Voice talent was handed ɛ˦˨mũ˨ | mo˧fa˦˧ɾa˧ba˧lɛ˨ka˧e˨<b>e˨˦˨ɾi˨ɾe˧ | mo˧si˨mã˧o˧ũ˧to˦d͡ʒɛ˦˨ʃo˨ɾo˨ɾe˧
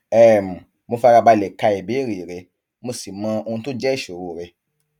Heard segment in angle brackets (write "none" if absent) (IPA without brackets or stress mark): b